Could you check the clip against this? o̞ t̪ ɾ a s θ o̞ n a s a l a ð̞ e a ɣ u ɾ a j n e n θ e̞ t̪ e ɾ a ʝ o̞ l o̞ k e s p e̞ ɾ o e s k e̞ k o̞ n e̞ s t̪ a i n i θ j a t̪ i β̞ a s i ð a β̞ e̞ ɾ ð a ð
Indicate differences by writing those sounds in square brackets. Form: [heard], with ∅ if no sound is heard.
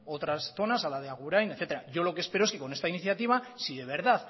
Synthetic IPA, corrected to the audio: o̞ t̪ ɾ a s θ o̞ n a s a l a ð̞ e a ɣ u ɾ a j n e [∅] θ e̞ t̪ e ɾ a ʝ o̞ l o̞ k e s p e̞ ɾ o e s k e̞ k o̞ n e̞ s t̪ a i n i θ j a t̪ i β̞ a s i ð [e] β̞ e̞ ɾ ð a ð